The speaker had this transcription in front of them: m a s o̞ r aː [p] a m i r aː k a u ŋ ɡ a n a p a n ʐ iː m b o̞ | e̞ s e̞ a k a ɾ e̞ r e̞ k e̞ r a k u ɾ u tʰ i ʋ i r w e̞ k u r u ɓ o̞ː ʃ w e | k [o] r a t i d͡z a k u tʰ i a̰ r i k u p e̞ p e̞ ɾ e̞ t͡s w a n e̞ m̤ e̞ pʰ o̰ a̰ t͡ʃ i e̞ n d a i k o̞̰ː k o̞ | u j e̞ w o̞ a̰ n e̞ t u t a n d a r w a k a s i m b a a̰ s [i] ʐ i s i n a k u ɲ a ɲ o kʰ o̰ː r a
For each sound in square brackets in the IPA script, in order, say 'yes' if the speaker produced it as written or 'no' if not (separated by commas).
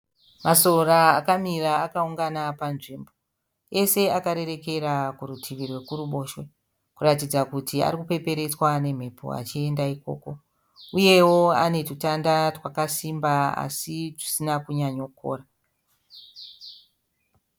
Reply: no, no, yes